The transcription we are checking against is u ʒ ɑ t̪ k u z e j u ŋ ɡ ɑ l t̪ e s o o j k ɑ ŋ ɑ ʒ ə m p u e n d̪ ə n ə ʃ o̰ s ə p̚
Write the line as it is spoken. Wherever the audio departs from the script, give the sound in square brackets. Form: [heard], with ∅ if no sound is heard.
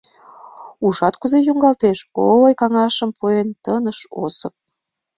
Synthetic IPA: u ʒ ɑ t̪ k u z e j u ŋ ɡ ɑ l t̪ e [ʃ] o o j k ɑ ŋ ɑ [ʃ] ə m p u e n [t̪] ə n ə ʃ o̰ s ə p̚